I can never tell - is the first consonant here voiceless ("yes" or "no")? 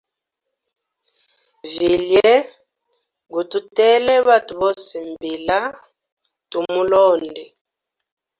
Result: no